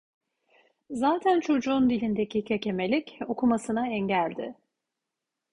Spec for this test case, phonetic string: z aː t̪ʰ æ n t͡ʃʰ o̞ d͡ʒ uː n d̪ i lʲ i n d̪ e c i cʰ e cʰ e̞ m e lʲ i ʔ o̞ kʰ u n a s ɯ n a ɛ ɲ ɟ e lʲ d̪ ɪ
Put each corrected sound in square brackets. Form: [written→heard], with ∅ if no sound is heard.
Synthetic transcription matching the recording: z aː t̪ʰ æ n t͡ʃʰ o̞ d͡ʒ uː n d̪ i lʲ i n d̪ e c i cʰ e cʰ e̞ m e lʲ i [ʔ→c] o̞ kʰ u [n→m] a s ɯ n a ɛ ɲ ɟ [e→æ] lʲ d̪ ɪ